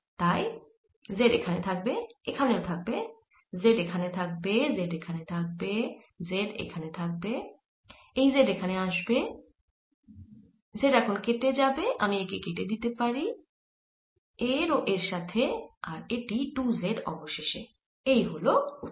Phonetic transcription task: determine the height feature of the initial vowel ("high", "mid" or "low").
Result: low